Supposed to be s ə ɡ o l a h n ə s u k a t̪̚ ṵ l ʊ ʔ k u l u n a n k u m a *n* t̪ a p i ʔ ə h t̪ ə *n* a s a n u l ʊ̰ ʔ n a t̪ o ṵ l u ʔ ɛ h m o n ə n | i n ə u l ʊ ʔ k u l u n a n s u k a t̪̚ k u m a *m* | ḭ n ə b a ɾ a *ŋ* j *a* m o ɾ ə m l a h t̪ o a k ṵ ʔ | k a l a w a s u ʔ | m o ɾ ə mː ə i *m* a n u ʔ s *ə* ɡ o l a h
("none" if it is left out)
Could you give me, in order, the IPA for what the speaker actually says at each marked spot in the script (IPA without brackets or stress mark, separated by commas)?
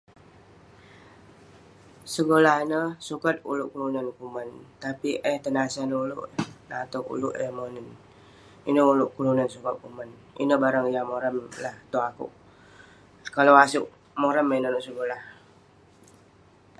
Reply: n, n, n, ŋ, a, n, ə